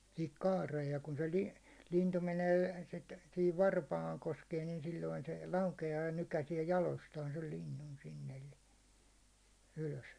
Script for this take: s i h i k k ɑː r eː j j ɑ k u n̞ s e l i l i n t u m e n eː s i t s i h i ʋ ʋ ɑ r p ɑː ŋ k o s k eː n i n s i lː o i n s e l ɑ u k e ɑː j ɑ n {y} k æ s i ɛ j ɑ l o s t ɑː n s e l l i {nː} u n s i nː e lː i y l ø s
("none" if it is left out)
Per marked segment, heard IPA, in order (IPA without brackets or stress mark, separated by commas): y, nː